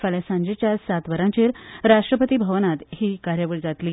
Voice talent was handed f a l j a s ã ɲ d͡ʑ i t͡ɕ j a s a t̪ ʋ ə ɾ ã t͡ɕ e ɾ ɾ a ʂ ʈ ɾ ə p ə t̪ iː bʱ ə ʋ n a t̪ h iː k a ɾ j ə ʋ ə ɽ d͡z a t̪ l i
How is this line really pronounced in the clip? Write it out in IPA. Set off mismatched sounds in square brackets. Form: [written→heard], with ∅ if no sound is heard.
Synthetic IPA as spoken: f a l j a s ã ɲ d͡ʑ [i→e] t͡ɕ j a s a t̪ ʋ ə ɾ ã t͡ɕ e ɾ ɾ a ʂ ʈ ɾ ə p ə t̪ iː bʱ ə ʋ n a t̪ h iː k a ɾ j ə ʋ ə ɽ d͡z a t̪ l i